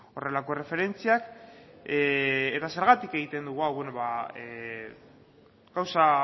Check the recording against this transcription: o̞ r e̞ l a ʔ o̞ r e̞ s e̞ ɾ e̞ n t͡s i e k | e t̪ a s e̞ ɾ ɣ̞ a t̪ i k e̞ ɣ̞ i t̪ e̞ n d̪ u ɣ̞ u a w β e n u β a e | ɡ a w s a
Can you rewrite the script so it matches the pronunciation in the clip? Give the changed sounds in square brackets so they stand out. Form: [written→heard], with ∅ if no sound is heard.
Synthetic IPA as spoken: o̞ r e̞ l a [ʔ→k] o̞ r e̞ [s→f] e̞ ɾ e̞ n t͡s i [e→a] k | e t̪ a s e̞ ɾ ɣ̞ a t̪ i k e̞ ɣ̞ i t̪ e̞ n d̪ u ɣ̞ u a w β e n [u→o] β a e | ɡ a w s a